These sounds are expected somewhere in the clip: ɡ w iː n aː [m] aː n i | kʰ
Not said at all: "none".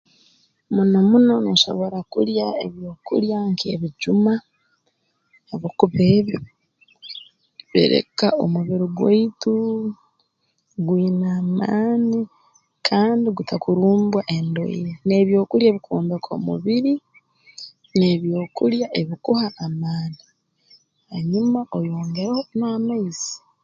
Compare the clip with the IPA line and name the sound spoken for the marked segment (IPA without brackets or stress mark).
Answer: m